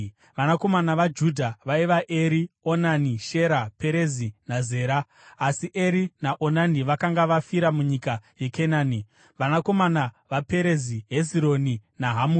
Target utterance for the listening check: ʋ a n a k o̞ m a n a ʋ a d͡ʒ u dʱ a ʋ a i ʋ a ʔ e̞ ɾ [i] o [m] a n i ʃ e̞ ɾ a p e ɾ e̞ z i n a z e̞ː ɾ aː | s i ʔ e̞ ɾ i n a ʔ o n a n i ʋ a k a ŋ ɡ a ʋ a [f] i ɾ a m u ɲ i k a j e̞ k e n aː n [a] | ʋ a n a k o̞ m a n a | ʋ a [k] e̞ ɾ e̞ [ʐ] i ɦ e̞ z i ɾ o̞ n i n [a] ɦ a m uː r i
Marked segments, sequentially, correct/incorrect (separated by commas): correct, incorrect, correct, incorrect, incorrect, incorrect, correct